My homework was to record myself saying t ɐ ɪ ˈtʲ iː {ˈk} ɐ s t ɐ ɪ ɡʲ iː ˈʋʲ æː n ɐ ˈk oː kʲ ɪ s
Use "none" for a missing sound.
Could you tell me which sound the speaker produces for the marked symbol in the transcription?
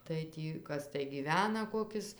k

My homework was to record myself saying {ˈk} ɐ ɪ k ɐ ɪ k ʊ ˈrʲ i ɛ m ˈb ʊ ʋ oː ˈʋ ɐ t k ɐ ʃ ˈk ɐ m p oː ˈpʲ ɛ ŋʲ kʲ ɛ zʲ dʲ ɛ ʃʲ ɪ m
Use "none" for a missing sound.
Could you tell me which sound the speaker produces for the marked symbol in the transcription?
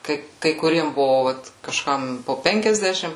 k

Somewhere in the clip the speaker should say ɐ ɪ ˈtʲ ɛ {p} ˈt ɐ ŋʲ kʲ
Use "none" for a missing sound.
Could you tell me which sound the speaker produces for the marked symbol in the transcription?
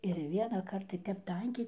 p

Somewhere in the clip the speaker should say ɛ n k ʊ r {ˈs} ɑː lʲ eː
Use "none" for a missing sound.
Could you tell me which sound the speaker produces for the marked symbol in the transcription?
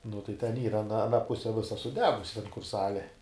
s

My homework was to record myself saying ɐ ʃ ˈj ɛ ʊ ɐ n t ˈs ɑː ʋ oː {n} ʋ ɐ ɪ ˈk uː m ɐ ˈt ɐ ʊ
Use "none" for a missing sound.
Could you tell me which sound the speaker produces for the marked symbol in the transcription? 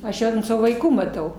none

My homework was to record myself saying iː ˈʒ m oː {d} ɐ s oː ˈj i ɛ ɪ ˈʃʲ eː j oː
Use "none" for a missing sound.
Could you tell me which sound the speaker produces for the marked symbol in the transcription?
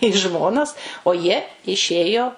n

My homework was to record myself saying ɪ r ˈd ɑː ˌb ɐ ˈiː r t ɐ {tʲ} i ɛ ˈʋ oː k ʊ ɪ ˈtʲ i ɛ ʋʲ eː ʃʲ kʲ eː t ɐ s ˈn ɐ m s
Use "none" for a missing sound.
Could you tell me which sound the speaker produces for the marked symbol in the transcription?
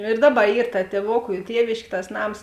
tʲ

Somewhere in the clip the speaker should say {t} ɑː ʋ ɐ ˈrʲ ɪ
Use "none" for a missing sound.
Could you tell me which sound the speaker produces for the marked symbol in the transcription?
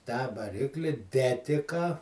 t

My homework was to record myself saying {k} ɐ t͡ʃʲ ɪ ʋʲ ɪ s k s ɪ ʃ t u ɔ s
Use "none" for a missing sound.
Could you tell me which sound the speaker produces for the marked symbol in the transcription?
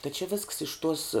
t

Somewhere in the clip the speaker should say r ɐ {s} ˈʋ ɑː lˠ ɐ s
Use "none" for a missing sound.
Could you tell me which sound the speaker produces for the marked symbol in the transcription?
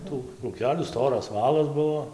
s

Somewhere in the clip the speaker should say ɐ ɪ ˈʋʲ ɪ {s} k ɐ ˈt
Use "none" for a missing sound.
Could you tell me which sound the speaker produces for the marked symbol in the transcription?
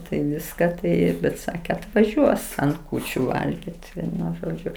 s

